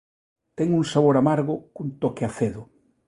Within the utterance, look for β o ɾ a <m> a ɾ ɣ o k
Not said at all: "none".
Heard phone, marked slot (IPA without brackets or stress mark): m